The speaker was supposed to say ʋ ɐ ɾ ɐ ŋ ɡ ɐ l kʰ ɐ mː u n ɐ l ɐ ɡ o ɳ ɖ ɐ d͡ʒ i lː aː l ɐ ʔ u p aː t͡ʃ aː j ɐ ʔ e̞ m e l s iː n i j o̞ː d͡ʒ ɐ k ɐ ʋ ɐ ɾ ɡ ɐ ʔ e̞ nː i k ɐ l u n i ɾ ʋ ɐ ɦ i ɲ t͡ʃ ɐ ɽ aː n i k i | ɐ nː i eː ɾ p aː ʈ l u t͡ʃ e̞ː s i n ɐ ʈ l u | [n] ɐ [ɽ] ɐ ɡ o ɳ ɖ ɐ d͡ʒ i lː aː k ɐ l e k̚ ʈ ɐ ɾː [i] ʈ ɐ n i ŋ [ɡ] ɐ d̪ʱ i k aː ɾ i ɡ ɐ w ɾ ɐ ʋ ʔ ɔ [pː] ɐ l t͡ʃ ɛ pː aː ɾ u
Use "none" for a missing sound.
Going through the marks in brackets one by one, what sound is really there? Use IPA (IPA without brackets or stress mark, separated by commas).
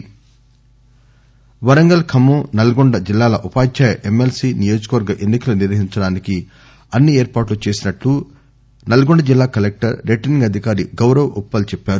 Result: n, l, e, ɡ, pː